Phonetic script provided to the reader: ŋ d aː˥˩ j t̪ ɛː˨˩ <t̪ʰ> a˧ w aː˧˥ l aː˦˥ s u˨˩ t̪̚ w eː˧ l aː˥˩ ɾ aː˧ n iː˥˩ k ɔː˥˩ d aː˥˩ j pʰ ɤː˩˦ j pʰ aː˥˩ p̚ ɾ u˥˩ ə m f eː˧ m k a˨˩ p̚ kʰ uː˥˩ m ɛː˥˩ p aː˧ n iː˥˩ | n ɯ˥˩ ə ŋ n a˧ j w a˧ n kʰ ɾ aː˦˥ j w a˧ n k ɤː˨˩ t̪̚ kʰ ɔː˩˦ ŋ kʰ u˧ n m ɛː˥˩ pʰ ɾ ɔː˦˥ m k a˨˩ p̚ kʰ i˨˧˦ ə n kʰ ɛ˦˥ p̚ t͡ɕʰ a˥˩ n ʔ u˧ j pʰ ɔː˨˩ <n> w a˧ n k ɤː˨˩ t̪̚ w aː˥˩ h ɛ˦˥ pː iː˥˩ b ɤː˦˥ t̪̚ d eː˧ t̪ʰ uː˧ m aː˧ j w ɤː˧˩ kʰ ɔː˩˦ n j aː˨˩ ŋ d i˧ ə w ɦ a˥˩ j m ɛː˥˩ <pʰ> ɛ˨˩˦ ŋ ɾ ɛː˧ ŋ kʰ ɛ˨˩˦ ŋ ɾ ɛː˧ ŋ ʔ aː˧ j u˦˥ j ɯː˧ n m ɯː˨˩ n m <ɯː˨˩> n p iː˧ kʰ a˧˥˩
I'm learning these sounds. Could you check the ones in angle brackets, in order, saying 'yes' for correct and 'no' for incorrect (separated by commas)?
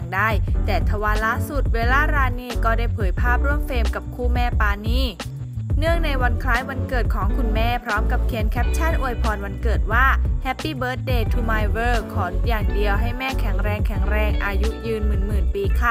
yes, yes, no, yes